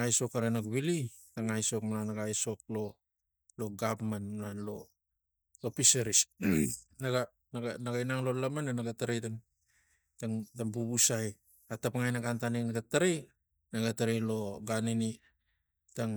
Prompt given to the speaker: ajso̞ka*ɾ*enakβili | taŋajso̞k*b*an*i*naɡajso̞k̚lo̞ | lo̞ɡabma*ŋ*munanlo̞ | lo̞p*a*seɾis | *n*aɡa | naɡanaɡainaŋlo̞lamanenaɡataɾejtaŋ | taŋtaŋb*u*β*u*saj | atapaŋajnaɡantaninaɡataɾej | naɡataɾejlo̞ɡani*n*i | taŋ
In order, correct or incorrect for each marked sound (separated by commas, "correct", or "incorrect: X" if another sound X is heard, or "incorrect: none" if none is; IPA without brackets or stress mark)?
correct, incorrect: m, incorrect: a, incorrect: n, incorrect: i, correct, correct, correct, correct